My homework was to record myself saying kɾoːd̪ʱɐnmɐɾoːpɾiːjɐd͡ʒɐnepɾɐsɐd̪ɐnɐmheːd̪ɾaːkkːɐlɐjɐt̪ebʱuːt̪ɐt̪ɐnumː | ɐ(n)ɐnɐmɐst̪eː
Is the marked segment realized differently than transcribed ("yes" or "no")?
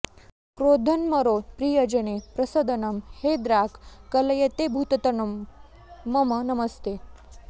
yes